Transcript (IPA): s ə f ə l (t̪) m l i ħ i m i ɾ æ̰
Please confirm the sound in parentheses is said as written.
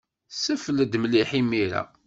no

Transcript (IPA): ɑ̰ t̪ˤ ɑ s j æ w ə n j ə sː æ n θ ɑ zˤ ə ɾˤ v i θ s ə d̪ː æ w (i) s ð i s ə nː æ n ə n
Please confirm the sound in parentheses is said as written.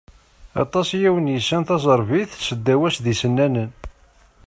no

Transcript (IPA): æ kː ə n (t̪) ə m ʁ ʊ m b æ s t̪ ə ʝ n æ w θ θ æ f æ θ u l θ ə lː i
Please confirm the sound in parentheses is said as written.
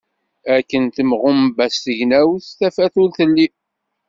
yes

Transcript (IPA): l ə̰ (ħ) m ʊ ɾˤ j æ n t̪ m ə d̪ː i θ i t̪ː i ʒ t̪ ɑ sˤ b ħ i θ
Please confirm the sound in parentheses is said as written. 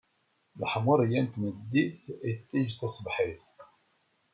yes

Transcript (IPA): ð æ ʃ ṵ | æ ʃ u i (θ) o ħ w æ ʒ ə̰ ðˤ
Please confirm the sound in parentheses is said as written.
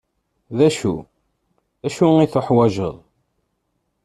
yes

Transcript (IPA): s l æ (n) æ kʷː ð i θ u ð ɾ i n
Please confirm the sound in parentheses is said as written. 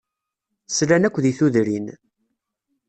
yes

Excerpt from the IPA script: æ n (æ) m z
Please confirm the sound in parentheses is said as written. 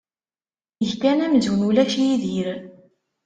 yes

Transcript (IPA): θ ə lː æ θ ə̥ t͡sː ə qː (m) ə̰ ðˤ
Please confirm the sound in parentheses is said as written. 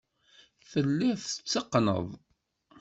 no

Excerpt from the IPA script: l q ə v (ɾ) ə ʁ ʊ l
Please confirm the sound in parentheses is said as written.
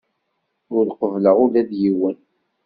no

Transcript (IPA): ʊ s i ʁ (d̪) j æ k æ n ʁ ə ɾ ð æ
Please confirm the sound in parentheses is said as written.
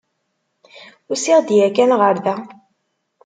yes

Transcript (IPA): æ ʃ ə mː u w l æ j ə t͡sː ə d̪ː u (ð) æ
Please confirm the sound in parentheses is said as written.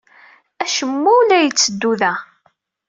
yes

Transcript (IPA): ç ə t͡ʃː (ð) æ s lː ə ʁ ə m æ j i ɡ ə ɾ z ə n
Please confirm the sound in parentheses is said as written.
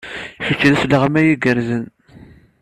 yes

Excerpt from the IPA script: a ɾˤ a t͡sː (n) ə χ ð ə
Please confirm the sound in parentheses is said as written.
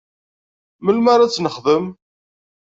yes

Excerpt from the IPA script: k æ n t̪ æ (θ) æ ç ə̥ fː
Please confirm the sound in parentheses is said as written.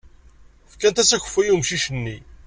no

